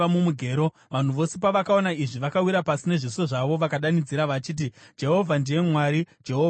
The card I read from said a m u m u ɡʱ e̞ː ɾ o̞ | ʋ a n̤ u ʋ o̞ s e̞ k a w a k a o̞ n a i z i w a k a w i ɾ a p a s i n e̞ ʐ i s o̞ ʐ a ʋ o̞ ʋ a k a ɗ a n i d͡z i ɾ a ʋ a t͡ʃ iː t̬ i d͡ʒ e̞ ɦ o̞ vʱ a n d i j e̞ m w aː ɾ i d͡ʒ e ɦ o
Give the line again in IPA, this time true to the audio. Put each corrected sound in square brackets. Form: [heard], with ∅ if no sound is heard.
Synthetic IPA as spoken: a m u m u ɡʱ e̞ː ɾ o̞ | ʋ a n̤ u ʋ o̞ s e̞ [p] a [ʋ] a k a o̞ n a i [ʐ] i [ʋ] a k a w i ɾ a p a s i n e̞ ʐ i s o̞ ʐ a ʋ o̞ ʋ a k a ɗ a n i d͡z i ɾ a ʋ a t͡ʃ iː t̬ i d͡ʒ e̞ ɦ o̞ vʱ a n d i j e̞ m w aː ɾ i d͡ʒ e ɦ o